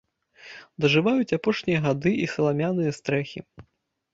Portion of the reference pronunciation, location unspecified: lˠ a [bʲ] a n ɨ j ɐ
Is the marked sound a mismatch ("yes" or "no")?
yes